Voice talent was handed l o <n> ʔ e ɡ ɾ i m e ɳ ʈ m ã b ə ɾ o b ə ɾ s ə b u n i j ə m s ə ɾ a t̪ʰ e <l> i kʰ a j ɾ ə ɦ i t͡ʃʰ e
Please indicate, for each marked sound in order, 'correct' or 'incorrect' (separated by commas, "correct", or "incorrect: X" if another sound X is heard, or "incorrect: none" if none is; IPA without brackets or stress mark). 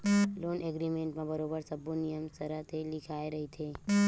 correct, correct